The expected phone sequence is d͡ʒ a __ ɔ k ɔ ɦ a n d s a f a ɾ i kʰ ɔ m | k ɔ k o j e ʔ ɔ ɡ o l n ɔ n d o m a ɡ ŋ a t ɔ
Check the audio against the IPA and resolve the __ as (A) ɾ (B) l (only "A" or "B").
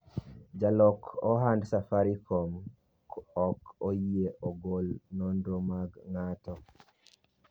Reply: B